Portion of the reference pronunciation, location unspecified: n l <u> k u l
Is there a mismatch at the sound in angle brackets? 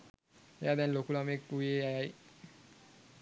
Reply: yes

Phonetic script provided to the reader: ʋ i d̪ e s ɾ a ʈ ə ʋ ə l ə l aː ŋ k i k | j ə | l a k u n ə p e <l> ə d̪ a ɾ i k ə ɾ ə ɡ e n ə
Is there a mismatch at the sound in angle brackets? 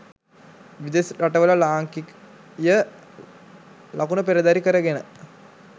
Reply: yes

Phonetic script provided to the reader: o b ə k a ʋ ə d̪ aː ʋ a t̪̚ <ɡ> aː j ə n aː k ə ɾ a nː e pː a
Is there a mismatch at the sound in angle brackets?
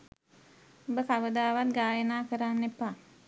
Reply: no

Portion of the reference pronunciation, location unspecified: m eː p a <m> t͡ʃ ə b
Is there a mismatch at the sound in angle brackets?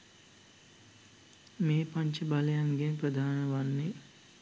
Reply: yes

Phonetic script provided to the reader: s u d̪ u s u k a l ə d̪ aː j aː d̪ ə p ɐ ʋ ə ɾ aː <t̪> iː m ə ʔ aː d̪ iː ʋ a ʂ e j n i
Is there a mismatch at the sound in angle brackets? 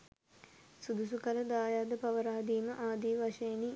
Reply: yes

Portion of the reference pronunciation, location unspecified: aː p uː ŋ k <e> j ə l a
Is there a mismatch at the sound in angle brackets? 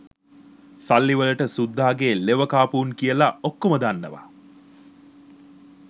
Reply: yes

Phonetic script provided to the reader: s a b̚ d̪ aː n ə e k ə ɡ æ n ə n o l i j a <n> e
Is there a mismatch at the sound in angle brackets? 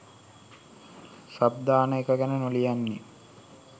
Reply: yes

